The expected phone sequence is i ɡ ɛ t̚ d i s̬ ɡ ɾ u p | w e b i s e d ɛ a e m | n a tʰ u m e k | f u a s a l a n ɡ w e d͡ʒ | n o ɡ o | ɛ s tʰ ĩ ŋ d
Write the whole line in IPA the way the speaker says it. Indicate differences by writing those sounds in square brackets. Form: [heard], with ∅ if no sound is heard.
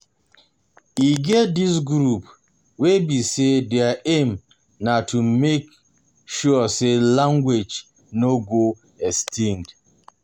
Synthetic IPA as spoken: i ɡ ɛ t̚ d i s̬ ɡ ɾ u p | w e b i s e d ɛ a e m | n a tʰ u m e k | [ʃ] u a s [e] l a [ŋ] ɡ w e d͡ʒ | n o ɡ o | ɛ s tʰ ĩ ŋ d